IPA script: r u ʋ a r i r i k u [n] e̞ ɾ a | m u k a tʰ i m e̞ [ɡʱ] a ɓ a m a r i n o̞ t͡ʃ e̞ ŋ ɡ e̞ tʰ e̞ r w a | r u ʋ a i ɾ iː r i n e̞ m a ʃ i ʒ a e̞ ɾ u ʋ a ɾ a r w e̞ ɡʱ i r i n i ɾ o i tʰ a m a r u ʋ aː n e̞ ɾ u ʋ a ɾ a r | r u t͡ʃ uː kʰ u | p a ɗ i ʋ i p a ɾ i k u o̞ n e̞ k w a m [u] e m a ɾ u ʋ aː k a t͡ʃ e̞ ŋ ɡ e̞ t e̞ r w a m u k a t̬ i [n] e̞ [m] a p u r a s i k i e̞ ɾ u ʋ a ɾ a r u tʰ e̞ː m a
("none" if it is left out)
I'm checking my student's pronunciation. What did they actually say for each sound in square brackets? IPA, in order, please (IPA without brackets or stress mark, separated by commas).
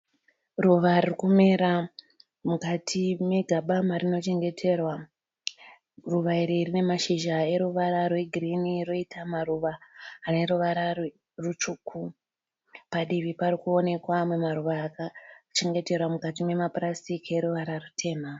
m, ɡʱ, w, m, m